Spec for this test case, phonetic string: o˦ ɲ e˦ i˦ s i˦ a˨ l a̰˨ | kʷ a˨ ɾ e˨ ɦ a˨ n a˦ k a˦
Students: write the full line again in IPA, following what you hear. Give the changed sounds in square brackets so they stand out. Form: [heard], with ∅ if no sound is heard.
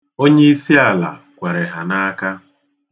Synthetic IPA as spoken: o˦ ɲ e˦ i˦ s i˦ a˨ l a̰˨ | kʷ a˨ ɾ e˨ ɦ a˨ n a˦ k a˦